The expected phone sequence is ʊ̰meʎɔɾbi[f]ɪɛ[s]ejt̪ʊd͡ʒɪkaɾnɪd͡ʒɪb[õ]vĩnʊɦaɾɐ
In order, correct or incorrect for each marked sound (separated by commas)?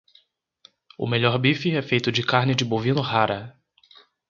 correct, incorrect, incorrect